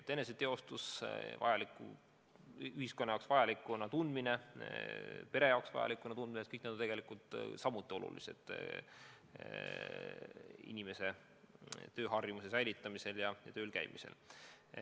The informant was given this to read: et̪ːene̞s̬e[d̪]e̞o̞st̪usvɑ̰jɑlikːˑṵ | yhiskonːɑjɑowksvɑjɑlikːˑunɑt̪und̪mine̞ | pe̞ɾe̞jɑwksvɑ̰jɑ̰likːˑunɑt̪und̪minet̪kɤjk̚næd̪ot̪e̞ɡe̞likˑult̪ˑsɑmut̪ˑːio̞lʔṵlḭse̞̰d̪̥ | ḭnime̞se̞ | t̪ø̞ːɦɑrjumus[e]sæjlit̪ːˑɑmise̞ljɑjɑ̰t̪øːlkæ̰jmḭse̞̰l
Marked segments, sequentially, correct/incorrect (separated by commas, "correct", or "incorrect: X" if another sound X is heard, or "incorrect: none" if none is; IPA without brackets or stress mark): incorrect: t̪, correct